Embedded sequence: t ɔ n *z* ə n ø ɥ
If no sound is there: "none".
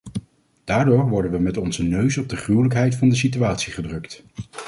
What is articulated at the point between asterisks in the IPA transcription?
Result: z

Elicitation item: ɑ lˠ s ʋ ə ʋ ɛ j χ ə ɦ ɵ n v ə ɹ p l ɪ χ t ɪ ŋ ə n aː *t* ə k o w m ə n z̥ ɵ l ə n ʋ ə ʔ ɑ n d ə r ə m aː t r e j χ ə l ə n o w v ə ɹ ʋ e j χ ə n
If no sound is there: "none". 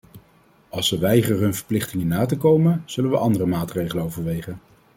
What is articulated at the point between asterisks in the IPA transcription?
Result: t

